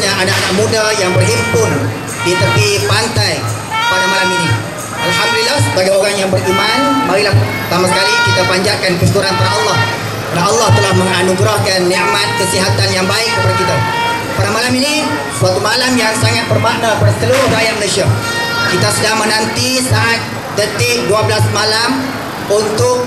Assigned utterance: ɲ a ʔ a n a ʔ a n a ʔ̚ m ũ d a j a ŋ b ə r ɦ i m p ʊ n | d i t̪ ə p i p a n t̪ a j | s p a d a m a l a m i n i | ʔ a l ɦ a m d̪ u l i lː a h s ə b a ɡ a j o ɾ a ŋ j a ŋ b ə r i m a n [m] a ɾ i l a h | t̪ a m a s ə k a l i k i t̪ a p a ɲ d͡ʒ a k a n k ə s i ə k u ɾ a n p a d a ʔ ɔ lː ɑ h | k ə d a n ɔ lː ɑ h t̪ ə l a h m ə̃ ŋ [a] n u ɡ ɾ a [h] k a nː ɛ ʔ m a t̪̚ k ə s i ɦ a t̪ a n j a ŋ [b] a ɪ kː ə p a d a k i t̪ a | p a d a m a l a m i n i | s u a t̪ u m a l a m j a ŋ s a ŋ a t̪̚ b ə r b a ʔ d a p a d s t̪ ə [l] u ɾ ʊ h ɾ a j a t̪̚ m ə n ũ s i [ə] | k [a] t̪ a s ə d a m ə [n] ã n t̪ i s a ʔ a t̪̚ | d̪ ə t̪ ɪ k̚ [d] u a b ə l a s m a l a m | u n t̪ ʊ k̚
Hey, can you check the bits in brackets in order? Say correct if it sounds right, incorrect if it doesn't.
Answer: correct, correct, correct, correct, correct, incorrect, incorrect, correct, correct

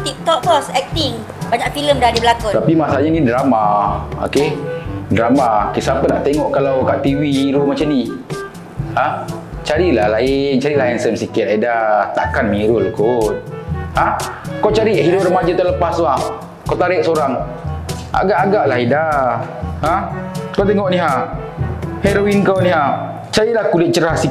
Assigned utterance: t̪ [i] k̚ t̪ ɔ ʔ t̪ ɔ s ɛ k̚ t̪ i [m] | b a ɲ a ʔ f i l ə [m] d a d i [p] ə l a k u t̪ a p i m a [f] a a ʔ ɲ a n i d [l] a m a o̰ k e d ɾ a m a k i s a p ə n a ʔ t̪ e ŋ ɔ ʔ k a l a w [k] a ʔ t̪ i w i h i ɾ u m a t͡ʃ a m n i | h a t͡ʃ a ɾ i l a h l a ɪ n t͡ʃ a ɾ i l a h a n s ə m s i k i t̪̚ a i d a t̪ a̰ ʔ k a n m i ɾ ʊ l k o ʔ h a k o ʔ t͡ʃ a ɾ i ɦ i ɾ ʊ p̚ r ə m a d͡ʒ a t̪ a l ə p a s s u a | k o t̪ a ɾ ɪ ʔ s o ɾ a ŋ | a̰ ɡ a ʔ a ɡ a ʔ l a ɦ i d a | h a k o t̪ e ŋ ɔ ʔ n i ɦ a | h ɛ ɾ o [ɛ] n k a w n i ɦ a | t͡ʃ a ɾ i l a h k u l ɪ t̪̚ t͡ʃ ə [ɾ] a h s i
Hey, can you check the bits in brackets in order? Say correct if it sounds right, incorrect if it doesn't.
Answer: correct, incorrect, correct, incorrect, incorrect, incorrect, correct, incorrect, correct

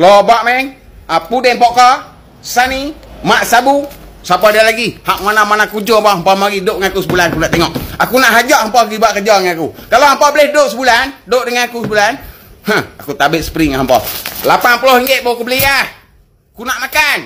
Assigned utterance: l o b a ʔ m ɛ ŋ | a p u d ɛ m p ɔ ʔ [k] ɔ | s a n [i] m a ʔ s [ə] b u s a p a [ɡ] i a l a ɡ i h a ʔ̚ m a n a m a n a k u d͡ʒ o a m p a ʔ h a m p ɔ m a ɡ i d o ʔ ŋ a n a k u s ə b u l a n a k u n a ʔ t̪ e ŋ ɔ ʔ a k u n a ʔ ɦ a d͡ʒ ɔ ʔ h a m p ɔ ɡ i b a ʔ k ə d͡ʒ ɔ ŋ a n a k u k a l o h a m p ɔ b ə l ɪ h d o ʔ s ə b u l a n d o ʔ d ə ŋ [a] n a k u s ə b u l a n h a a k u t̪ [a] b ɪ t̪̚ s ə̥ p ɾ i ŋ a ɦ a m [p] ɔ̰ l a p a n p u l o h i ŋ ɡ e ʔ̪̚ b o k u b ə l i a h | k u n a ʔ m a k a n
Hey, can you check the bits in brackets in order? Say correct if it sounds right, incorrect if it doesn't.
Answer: correct, correct, incorrect, incorrect, correct, correct, correct

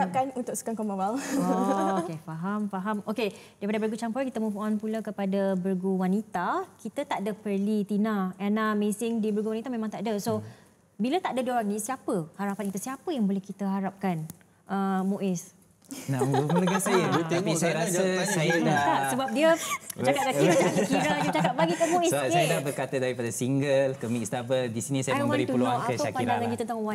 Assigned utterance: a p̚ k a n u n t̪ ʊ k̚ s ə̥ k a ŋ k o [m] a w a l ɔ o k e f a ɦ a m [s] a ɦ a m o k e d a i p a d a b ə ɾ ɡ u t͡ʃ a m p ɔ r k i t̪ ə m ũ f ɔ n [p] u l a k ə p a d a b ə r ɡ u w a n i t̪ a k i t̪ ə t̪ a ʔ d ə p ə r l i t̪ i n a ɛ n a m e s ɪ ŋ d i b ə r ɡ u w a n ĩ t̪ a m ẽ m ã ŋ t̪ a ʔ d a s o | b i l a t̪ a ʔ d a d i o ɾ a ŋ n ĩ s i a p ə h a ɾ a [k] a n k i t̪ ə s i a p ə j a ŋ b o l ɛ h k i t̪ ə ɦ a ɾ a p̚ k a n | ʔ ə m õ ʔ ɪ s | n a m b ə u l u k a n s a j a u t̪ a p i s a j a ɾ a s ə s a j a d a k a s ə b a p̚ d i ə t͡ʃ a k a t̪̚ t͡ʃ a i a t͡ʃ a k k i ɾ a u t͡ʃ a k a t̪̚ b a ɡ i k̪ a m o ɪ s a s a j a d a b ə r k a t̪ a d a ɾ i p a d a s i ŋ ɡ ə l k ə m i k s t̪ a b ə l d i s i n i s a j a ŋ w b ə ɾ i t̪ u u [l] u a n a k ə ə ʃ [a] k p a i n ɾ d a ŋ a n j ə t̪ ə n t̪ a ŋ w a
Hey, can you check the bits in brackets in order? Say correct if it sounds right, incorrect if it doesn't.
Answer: correct, incorrect, correct, incorrect, correct, correct

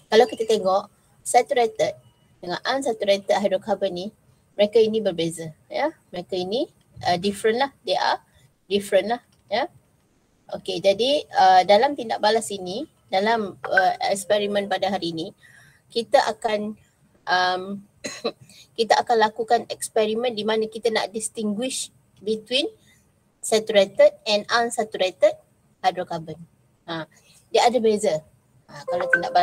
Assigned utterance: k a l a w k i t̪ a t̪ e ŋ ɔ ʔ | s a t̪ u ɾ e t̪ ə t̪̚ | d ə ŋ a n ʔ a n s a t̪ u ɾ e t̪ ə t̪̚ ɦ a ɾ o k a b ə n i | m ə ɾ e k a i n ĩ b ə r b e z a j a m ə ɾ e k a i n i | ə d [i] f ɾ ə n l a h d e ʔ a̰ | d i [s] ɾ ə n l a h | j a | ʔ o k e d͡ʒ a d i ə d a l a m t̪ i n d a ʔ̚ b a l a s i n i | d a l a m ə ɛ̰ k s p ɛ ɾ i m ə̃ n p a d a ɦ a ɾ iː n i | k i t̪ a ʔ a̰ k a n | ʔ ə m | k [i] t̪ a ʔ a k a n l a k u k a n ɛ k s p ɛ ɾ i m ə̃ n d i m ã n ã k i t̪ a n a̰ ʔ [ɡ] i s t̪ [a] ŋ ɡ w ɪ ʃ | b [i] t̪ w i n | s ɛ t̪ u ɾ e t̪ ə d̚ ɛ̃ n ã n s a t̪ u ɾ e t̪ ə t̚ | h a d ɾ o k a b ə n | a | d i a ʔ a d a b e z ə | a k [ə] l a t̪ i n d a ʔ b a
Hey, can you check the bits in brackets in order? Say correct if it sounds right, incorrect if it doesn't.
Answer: correct, incorrect, correct, incorrect, incorrect, correct, incorrect

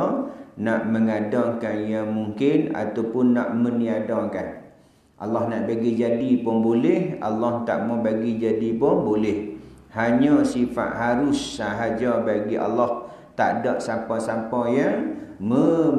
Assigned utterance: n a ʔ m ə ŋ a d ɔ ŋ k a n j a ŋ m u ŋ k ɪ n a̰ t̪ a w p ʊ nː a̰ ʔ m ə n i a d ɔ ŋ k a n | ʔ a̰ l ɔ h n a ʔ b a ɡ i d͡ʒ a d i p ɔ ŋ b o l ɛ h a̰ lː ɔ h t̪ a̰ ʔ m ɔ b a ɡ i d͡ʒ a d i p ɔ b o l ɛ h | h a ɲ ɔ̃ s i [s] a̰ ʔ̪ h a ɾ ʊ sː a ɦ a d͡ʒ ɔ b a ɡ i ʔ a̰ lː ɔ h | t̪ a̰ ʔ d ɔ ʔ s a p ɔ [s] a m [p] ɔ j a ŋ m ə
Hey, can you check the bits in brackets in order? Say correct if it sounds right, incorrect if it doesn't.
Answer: incorrect, correct, correct

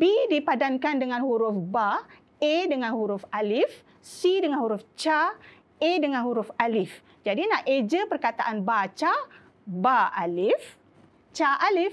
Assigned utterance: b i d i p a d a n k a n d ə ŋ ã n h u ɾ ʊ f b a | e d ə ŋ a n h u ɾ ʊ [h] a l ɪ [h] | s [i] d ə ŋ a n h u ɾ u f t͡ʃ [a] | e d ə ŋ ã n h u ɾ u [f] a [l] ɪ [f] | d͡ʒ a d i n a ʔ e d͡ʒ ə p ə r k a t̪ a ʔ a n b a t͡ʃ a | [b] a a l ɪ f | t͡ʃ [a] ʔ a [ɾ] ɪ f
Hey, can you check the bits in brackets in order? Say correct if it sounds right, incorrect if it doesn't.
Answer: incorrect, incorrect, correct, correct, correct, correct, correct, correct, correct, incorrect

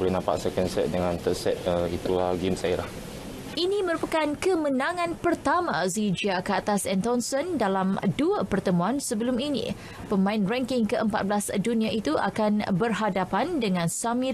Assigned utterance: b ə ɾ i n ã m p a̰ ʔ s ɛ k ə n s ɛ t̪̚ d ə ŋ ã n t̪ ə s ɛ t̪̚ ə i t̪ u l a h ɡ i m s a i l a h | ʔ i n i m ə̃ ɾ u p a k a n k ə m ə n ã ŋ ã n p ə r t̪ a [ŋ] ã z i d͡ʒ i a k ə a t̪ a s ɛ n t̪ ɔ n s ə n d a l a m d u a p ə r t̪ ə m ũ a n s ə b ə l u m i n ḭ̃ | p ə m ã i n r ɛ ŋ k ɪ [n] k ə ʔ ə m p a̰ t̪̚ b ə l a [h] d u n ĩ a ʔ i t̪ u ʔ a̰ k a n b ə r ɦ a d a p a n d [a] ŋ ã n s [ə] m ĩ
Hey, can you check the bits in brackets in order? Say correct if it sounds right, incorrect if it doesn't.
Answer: incorrect, incorrect, incorrect, incorrect, incorrect

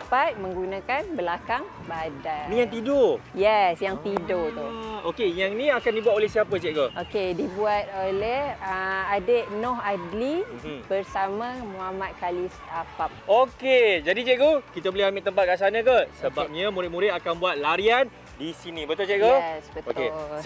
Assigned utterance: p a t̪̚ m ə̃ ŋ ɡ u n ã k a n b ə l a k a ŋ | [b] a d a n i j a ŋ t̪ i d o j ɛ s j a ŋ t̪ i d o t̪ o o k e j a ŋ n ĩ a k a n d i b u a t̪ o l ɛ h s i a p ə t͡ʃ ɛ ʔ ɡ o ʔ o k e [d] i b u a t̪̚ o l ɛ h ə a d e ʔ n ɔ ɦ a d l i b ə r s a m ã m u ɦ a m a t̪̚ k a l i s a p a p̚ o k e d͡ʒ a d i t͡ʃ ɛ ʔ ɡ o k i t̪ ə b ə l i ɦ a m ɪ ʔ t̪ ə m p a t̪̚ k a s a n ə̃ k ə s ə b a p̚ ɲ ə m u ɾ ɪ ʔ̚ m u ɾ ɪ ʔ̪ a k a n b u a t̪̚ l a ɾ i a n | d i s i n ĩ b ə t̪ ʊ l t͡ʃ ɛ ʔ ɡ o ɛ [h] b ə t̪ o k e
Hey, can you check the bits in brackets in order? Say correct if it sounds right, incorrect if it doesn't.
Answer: correct, correct, incorrect

